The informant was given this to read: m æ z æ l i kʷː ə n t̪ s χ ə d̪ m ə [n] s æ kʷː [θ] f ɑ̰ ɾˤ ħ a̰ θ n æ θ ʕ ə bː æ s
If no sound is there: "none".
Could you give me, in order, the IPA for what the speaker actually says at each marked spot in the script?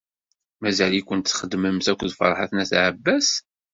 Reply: m, ð

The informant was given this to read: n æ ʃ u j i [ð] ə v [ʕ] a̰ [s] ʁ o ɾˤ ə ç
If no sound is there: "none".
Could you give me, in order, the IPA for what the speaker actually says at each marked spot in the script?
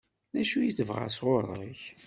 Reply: θ, ʁ, s

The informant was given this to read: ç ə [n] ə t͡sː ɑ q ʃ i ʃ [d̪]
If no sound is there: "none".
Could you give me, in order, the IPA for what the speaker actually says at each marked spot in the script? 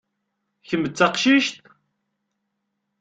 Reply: m, t̪

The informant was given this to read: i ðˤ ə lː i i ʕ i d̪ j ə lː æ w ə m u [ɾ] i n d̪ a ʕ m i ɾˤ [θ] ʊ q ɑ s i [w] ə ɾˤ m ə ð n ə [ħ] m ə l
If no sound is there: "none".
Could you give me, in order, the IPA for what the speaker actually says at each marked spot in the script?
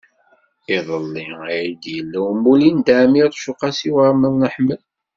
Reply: l, ʃ, w, ħ

